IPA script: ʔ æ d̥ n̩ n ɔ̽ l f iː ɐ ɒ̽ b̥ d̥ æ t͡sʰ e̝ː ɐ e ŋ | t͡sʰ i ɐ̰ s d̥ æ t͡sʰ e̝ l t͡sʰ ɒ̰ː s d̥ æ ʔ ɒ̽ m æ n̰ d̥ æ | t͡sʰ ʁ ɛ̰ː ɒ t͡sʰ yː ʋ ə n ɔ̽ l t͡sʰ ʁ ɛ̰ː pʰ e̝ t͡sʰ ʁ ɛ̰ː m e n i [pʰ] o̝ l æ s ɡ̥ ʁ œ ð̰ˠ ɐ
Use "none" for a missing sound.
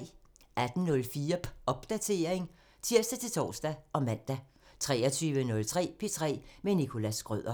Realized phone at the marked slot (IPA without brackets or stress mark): kʰ